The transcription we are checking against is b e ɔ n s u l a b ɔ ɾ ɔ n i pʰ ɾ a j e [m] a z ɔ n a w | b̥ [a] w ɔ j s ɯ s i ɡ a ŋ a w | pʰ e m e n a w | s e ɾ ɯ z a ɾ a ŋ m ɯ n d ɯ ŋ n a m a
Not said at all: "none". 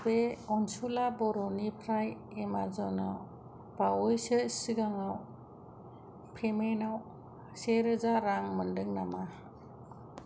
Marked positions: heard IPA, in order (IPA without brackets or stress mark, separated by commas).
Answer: m, a